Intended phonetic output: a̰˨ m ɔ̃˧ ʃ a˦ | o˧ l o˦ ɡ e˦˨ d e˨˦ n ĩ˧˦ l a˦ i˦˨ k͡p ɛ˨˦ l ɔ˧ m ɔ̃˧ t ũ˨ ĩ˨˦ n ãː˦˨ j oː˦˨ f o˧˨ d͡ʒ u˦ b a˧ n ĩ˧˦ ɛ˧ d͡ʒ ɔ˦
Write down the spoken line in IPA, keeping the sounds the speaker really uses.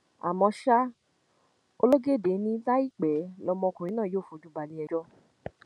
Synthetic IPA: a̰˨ m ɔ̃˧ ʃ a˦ | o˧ l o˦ ɡ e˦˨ d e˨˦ n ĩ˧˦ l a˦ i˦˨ k͡p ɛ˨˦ l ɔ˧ m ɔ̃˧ k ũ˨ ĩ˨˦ n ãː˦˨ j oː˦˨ f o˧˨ d͡ʒ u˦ b a˧ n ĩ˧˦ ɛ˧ d͡ʒ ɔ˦